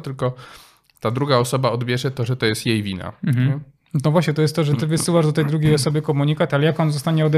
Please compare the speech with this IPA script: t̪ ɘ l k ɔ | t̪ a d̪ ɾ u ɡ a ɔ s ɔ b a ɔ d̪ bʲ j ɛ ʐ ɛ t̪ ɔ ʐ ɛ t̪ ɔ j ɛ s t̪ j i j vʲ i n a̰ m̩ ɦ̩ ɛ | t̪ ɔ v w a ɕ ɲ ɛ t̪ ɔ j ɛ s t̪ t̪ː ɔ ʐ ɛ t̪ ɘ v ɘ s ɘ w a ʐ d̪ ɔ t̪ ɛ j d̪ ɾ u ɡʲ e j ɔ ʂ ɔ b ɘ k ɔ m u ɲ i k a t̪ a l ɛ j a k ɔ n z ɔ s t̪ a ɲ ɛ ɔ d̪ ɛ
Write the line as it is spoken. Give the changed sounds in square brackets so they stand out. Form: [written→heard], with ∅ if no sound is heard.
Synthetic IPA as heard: t̪ ɘ l k ɔ | t̪ a d̪ ɾ u ɡ a ɔ s ɔ b a ɔ d̪ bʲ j ɛ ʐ ɛ t̪ ɔ ʐ ɛ t̪ ɔ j ɛ s t̪ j [i→e] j vʲ i n a̰ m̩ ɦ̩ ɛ | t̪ ɔ v w a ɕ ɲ ɛ t̪ ɔ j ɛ s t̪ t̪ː ɔ ʐ ɛ t̪ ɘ v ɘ s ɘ w a ʐ d̪ ɔ t̪ ɛ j d̪ ɾ u ɡʲ e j ɔ [ʂ→s] ɔ b ɘ k ɔ m u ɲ i k a t̪ a l ɛ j a k ɔ n z ɔ s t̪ a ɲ ɛ ɔ d̪ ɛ